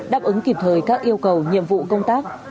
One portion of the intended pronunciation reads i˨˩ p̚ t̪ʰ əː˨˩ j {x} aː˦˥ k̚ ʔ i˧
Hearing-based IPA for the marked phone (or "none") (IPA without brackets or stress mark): k